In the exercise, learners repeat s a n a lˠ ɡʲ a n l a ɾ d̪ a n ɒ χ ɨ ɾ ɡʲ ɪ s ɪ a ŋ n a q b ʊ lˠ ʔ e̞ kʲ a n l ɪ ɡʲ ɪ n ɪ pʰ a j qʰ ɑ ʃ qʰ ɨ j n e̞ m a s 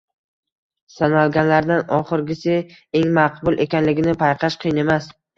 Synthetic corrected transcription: s a n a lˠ ɡʲ a n l a ɾ d̪ a n ɒ χ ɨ ɾ ɡʲ ɪ s ɪ e ŋ m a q b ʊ lˠ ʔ e̞ kʲ a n l ɪ ɡʲ ɪ n ɪ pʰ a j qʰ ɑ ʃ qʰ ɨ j n e̞ m a s